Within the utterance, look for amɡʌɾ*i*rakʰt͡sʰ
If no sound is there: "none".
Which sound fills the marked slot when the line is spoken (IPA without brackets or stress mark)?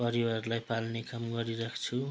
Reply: i